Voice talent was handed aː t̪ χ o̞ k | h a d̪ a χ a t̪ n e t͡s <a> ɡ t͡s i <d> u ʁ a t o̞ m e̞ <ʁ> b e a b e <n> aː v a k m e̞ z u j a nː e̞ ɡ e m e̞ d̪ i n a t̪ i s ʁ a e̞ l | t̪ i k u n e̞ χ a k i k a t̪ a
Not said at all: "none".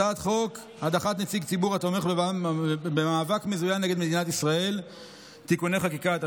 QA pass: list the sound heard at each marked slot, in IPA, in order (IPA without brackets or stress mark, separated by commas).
i, b, χ, m